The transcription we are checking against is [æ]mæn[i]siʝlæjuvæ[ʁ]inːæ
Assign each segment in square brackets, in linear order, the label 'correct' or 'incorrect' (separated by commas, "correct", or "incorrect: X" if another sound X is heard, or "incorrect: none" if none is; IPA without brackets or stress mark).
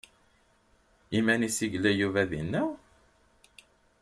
incorrect: i, correct, incorrect: ð